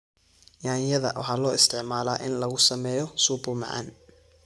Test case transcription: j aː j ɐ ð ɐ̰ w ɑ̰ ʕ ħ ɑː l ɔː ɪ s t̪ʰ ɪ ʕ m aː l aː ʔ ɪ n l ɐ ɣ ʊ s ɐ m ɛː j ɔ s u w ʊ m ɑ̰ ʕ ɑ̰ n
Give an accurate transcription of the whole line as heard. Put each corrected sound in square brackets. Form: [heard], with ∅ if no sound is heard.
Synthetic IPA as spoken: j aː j ɐ ð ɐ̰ w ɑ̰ [∅] ħ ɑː l ɔː ɪ s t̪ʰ ɪ ʕ m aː l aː ʔ ɪ n l ɐ ɣ ʊ s ɐ m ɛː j ɔ s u [b] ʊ m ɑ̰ ʕ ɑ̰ n